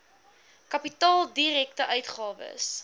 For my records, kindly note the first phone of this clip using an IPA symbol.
k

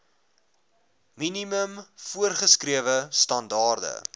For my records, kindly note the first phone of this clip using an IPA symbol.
m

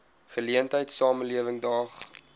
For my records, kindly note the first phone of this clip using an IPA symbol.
χ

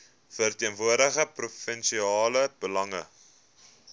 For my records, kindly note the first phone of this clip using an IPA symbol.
f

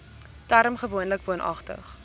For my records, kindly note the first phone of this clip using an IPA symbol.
t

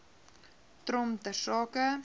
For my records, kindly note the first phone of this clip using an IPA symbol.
t̪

